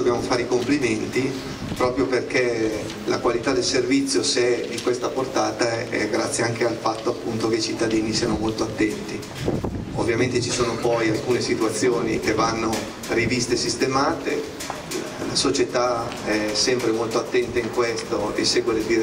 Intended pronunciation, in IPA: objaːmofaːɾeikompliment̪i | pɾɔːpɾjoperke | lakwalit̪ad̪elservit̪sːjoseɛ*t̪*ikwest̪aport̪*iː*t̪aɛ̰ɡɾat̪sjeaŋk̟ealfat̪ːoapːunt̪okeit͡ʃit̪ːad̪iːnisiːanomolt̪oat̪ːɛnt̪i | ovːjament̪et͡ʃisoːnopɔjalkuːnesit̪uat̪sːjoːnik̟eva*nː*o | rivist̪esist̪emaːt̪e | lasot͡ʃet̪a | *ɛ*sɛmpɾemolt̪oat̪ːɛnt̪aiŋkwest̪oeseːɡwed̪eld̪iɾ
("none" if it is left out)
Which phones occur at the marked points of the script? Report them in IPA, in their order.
d̪, aː, nː, ɛ

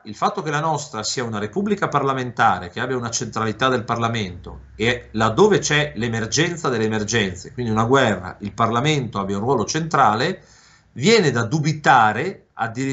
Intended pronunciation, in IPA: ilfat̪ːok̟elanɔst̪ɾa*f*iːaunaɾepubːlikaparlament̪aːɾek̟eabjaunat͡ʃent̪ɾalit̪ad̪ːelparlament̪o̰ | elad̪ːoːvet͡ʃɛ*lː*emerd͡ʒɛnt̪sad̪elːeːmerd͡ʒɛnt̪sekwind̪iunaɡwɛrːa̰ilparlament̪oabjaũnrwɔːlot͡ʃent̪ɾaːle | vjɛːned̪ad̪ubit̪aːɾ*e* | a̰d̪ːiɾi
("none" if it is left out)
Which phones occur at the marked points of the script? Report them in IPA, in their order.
s, l, e

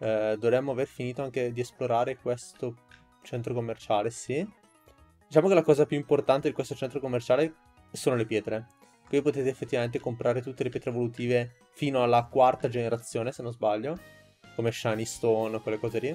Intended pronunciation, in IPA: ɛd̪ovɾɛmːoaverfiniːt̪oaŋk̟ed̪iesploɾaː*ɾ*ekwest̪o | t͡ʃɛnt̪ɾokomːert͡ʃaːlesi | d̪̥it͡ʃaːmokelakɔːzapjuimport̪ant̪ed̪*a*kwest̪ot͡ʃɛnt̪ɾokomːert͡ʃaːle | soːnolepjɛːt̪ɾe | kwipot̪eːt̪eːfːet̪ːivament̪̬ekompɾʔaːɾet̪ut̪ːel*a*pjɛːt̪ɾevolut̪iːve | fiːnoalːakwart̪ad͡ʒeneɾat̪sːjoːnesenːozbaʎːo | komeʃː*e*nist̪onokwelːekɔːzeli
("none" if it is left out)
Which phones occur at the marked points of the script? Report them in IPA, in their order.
ɾ, i, e, a

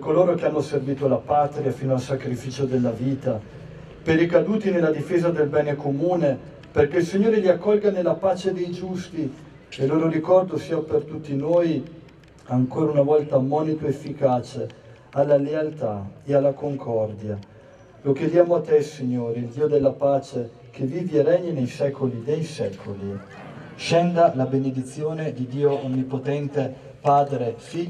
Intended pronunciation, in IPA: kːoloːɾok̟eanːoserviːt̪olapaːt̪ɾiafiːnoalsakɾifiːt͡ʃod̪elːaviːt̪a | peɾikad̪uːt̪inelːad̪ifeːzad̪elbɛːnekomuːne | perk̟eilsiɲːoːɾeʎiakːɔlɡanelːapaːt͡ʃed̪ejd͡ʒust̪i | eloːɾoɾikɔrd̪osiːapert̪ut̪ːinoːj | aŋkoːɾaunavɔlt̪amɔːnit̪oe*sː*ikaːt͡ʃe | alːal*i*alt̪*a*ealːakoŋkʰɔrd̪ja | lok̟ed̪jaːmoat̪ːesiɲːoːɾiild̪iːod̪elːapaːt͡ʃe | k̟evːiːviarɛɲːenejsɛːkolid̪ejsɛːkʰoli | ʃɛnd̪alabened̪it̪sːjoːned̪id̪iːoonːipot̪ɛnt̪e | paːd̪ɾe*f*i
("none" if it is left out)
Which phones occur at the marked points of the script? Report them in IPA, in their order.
fː, e, a, f

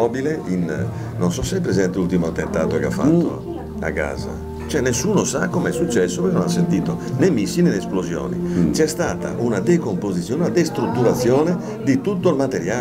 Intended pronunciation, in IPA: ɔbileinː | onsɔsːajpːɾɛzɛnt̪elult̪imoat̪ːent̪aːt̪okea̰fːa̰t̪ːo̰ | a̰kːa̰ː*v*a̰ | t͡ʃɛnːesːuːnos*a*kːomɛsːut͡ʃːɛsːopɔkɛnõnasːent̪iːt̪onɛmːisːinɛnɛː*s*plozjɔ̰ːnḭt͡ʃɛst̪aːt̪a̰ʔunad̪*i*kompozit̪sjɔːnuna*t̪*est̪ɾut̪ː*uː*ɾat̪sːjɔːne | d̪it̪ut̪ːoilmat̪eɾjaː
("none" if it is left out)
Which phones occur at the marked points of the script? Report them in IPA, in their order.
z, a, s, e, d̪, u

